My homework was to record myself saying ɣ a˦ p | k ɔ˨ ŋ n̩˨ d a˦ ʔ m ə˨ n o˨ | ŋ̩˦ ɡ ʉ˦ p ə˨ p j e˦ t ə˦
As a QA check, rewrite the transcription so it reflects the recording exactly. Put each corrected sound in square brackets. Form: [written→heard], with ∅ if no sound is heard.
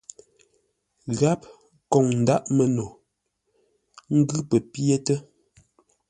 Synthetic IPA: ɣ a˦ p | k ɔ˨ ŋ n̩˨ d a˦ ʔ m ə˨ n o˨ | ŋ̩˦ ɡ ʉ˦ p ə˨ p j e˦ t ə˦